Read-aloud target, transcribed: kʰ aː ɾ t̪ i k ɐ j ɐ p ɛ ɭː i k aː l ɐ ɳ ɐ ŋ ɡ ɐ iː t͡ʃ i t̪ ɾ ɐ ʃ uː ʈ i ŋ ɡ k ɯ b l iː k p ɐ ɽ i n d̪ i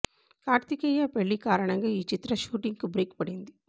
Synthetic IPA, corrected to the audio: k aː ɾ t̪ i k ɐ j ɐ p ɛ ɭː i k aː ɾ ɐ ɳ ɐ ŋ ɡ ɐ iː t͡ʃ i t̪ ɾ ɐ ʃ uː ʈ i ŋ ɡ k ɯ b ɾ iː k p ɐ ɽ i n d̪ i